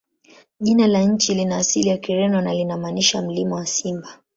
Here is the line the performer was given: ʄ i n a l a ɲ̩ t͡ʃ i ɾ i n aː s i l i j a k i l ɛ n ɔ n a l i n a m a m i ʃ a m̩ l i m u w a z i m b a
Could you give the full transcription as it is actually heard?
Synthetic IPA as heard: ʄ i n a l a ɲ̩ t͡ʃ i l i n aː s i l i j a k i ɾ ɛ n ɔ n a l i n a m a n i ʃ a m̩ l i m ɔ w a s i m b a